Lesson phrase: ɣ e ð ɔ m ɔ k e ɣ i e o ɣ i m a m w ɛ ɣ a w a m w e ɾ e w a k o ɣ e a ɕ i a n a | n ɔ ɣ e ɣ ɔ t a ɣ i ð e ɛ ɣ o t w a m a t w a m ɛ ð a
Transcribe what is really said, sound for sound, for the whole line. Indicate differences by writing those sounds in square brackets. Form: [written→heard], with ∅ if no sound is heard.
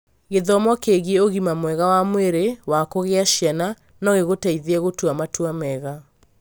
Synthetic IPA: ɣ e ð ɔ m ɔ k e ɣ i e o ɣ i m a m w ɛ ɣ a w a m w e ɾ e w a k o ɣ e a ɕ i a n a | n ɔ ɣ e ɣ [ɔ→o] t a [ɣ→∅] i ð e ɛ ɣ o t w a m a t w a m ɛ [ð→ɣ] a